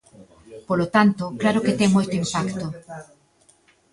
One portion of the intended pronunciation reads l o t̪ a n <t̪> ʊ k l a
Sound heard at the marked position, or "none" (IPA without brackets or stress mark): t̪